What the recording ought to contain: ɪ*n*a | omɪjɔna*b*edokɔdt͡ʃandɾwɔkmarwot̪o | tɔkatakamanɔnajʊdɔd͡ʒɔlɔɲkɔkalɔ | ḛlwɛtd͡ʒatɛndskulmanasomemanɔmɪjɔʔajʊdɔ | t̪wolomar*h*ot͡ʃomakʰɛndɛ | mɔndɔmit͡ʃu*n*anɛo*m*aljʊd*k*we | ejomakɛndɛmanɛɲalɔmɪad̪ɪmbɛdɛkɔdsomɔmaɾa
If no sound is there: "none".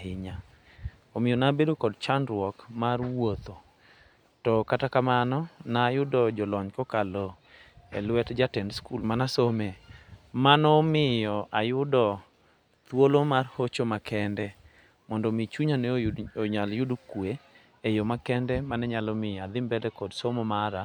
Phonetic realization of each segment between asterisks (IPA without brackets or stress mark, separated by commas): ɲ, b, h, ɲ, ɲ, k